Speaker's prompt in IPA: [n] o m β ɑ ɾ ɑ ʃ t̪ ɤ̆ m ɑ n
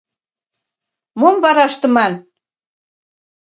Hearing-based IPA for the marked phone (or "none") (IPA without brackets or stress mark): m